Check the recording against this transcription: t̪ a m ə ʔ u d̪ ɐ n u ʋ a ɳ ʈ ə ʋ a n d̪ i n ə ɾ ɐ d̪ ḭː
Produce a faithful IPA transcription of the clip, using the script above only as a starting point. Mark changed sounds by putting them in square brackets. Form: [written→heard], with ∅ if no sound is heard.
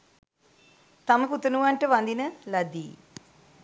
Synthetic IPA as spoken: t̪ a m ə [ʔ→p] u [d̪→t̪] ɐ n u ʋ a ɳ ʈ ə ʋ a n d̪ i n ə [ɾ→l] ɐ d̪ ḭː